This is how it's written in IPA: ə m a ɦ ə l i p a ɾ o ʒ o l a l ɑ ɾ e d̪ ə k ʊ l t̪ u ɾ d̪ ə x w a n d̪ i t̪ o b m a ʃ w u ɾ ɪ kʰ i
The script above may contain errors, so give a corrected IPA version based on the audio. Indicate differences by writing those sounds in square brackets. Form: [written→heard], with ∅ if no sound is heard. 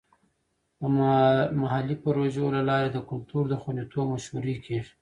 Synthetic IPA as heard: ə m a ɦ [ə→a] l i p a ɾ o ʒ o l a l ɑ ɾ e d̪ ə k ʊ l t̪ u ɾ d̪ ə x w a n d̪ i t̪ o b m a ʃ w u ɾ [ɪ→i] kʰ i